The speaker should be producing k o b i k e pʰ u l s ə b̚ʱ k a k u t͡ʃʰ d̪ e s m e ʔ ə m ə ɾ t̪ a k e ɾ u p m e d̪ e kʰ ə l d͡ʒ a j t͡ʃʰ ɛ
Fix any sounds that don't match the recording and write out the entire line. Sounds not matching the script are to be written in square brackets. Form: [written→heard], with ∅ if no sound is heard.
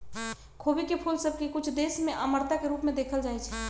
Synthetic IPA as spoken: [k→kʰ] o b i k e pʰ u l s ə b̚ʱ k [a→e] k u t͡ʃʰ d̪ e s m e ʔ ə m ə ɾ t̪ a k e ɾ u p m e d̪ e kʰ ə l d͡ʒ a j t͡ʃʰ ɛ